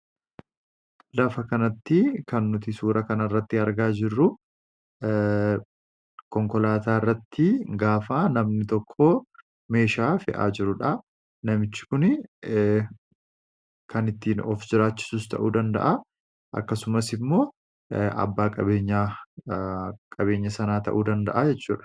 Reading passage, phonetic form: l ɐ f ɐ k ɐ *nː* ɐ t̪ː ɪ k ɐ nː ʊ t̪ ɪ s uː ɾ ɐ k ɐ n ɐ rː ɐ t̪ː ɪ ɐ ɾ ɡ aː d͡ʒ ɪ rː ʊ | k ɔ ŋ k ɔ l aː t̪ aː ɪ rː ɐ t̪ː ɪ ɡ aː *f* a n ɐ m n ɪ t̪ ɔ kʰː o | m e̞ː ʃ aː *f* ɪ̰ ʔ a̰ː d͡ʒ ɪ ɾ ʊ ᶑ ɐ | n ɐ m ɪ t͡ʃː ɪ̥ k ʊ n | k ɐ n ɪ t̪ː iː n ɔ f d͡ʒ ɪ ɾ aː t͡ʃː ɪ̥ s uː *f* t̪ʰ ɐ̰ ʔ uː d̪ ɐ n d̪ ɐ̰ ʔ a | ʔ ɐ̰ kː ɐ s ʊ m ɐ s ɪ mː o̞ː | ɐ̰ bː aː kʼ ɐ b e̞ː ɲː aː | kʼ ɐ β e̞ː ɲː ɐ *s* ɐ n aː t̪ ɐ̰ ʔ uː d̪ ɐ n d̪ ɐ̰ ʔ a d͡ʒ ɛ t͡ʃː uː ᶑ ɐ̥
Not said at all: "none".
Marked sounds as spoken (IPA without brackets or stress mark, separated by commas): n, f, f, s, s